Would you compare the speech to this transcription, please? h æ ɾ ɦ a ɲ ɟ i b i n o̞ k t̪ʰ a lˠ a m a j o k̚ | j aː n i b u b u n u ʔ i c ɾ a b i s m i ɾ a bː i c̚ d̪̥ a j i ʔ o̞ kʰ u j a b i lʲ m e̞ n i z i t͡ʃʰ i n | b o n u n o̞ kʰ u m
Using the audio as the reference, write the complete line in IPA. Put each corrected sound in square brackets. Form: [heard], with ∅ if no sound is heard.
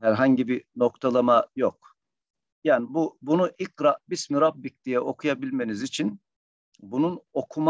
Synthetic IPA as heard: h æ ɾ ɦ a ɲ ɟ i b i n o̞ k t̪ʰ a lˠ a m a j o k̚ | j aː n i b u b u n u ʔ i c ɾ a b i s m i ɾ a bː i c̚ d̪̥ [i] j [ɛ] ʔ o̞ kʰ u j a b i lʲ m e̞ n i z i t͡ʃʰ i n | b [u] n u n o̞ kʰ u m

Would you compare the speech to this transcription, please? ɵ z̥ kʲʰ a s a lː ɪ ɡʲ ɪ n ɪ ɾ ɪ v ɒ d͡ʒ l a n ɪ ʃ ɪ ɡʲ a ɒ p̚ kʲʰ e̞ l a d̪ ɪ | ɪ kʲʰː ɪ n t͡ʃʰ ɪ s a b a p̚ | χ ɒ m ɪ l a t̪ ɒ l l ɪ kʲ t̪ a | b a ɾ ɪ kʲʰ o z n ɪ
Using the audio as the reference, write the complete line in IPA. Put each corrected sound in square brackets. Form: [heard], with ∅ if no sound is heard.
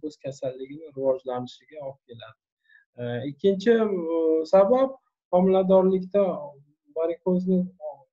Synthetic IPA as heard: ɵ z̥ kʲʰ a s a lː ɪ ɡʲ ɪ n ɪ ɾ ɪ v ɒ d͡ʒ l a n ɪ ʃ ɪ ɡʲ a ɒ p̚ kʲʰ e̞ l a d̪ ɪ | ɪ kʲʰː ɪ n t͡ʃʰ ɪ s a b a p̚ | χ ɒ m ɪ l a [d̪] ɒ [ɾ] l ɪ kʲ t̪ a | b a ɾ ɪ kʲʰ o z n ɪ

